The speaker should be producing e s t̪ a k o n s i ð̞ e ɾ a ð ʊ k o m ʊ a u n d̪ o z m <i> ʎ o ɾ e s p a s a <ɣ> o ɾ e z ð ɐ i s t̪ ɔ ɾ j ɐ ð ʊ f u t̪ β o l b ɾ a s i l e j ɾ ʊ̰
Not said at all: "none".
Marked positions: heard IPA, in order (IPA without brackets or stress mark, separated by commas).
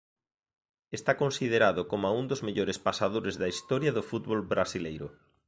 e, ð